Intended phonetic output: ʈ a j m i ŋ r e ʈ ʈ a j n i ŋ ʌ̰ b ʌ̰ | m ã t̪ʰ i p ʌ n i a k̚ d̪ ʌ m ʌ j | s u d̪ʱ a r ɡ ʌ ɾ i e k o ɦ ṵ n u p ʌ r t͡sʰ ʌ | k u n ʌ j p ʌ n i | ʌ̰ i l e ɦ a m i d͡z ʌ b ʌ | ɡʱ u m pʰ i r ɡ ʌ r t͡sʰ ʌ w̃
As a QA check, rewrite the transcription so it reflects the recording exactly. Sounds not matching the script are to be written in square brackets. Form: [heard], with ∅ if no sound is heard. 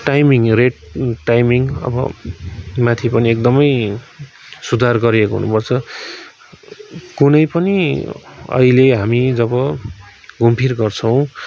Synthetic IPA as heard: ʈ a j m i ŋ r e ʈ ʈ a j [m] i ŋ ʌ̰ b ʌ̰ | m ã t̪ʰ i p ʌ n i [e] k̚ d̪ ʌ m ʌ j | s u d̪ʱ a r ɡ ʌ ɾ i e k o ɦ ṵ n u p ʌ r t͡sʰ ʌ | k u n ʌ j p ʌ n i | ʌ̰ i l e ɦ a m i d͡z ʌ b ʌ | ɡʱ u m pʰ i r ɡ ʌ r t͡sʰ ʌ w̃